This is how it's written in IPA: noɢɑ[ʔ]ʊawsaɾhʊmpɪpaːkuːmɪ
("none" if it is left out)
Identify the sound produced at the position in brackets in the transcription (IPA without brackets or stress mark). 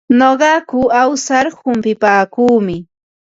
k